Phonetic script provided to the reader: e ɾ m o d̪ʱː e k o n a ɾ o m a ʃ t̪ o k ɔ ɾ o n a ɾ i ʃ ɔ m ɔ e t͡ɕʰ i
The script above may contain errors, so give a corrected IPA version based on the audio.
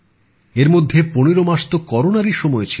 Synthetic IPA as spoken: e ɾ m o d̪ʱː e p o n e ɾ o m a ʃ t̪ o k ɔ ɾ o n a ɾ i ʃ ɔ m ɔ e t͡ɕʰ i